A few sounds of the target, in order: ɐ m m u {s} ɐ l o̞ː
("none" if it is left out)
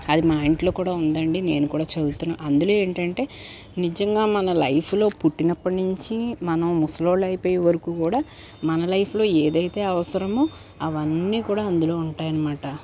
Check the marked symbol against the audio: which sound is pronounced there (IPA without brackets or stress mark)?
s